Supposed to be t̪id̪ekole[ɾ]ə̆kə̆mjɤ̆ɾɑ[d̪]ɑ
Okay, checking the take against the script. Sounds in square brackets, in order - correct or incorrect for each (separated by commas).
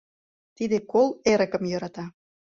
correct, incorrect